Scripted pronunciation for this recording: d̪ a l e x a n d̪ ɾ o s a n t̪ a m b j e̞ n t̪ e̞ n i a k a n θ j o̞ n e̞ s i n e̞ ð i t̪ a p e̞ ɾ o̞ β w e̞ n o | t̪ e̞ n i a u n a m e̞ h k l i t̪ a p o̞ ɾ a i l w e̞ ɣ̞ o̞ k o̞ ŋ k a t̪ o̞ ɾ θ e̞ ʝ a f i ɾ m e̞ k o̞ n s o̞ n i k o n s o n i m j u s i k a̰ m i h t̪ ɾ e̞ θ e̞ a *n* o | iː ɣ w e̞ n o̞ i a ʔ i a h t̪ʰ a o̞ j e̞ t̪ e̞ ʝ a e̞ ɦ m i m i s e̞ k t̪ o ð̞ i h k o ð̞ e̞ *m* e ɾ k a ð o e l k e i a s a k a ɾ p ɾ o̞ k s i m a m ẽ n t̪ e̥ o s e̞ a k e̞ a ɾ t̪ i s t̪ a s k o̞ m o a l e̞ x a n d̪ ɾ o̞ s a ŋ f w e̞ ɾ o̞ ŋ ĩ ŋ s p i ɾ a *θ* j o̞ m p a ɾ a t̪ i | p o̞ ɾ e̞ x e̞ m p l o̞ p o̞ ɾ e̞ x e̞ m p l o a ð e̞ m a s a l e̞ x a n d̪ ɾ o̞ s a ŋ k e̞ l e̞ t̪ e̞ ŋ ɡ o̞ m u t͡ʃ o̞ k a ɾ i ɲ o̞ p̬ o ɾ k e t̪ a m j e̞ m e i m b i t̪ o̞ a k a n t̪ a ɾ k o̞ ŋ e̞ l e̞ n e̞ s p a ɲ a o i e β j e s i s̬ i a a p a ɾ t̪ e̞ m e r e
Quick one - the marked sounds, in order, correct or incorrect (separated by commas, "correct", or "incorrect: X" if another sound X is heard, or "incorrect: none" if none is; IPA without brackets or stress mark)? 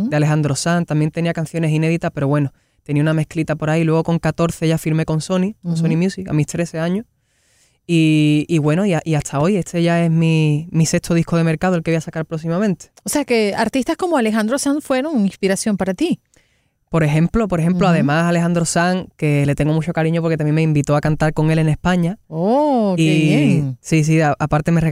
incorrect: ɲ, correct, incorrect: s